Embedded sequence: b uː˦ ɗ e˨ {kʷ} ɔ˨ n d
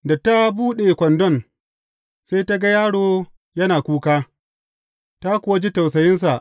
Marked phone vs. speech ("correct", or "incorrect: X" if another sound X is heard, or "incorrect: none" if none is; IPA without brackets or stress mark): correct